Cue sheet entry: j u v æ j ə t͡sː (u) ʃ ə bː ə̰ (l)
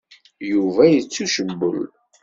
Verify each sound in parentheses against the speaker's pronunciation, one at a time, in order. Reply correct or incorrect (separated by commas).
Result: correct, correct